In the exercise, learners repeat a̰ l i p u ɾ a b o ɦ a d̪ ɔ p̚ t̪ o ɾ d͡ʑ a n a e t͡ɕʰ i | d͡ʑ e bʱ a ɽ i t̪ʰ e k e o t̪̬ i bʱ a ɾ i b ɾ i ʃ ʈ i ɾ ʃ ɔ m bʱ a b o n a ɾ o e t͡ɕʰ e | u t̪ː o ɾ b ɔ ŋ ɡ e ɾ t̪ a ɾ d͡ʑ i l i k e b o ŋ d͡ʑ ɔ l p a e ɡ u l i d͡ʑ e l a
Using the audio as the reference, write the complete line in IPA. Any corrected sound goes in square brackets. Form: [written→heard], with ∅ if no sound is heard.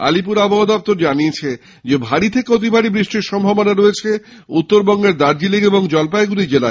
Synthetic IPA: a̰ l i p u ɾ a b o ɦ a d̪ ɔ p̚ t̪ o ɾ d͡ʑ a n [a→i] e t͡ɕʰ [i→e] | d͡ʑ e bʱ a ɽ i t̪ʰ e k e o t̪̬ i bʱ a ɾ i b ɾ i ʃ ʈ i ɾ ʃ ɔ m bʱ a b o n a ɾ o e t͡ɕʰ e | u t̪ː o ɾ b ɔ ŋ ɡ e ɾ [t̪→d̪] a ɾ d͡ʑ i l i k e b o ŋ d͡ʑ ɔ l p a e ɡ u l i d͡ʑ e l a